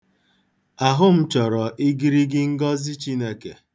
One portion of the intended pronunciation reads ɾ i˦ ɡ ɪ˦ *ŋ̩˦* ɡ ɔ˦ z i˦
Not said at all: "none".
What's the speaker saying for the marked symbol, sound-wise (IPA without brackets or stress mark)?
ŋ̩˦